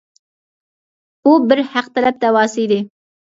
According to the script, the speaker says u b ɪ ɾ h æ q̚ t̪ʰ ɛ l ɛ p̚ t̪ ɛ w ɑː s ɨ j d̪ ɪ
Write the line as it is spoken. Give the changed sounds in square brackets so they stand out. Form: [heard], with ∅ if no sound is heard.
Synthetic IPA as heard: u b ɪ ɾ h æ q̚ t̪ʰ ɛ l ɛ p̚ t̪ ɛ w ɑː s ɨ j d̪ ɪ